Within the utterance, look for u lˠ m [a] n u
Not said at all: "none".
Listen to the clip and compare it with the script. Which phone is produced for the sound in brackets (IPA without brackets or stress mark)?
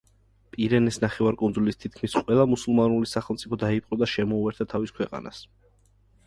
a